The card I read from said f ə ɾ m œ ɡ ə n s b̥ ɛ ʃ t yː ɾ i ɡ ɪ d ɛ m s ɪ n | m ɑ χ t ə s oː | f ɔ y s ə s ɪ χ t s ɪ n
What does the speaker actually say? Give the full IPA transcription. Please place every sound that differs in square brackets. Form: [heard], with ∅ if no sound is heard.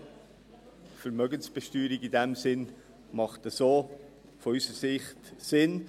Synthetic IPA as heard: f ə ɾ m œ ɡ ə n s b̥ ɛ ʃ t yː ɾ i ɡ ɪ d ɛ m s ɪ n | m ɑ χ t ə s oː | f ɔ y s ə s ɪ χ t s ɪ n